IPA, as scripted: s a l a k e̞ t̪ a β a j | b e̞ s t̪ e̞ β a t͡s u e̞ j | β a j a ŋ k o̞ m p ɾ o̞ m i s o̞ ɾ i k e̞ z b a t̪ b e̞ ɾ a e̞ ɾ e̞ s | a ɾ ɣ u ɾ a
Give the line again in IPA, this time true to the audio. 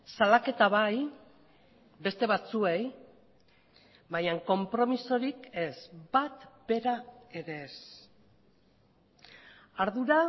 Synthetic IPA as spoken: s a l a k e̞ t̪ a β a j | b e̞ s t̪ e̞ β a t͡s u e̞ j | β a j a ŋ k o̞ m p ɾ o̞ m i s o̞ ɾ i k e̞ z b a t̪ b e̞ ɾ a e̞ ɾ e̞ s | a ɾ ð u ɾ a